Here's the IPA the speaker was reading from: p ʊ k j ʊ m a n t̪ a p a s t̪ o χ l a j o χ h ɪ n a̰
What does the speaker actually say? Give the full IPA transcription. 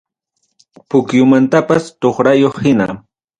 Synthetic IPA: p ʊ k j ʊ m a n t̪ a p a s t̪ o χ ɾ a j o χ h ɪ n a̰